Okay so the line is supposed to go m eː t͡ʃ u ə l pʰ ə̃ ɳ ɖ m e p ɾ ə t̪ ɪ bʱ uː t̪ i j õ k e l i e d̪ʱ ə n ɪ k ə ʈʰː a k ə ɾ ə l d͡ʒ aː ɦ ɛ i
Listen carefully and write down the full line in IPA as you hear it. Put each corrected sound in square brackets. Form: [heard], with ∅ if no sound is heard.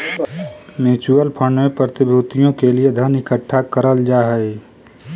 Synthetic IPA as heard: m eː t͡ʃ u ə l pʰ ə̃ ɳ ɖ m e p ɾ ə t̪ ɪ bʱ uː t̪ i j õ k e l i e d̪ʱ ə n ɪ k ə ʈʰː a k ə ɾ ə l d͡ʒ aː ɦ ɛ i